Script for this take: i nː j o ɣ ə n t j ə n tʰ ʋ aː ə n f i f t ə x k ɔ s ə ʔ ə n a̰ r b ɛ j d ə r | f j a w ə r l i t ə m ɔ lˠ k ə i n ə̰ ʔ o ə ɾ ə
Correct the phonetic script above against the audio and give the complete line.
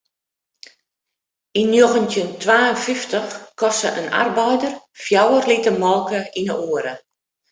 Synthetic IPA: i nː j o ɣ ə n t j ə n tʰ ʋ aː ə n f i f t ə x k ɔ s ə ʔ ə n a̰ r b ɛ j d ə r | f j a w ə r l i t ə m ɔ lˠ k ə i n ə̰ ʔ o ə ɾ ə